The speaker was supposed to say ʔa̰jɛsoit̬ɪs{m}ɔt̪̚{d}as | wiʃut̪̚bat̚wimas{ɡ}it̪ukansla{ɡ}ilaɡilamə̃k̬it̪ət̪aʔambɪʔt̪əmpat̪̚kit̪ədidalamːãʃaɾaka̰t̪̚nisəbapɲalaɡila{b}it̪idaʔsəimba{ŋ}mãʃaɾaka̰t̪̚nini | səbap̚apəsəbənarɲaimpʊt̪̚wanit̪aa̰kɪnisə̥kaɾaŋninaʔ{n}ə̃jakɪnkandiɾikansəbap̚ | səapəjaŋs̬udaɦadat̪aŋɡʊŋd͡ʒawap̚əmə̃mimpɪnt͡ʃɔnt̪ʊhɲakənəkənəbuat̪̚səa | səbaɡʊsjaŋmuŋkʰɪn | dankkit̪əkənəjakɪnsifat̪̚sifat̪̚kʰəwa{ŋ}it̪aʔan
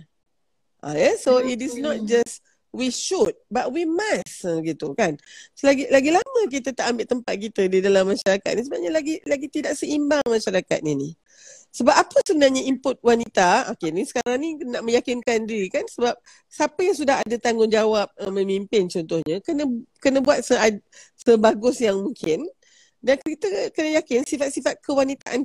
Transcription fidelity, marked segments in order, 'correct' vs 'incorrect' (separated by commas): incorrect, incorrect, correct, correct, incorrect, correct, incorrect, incorrect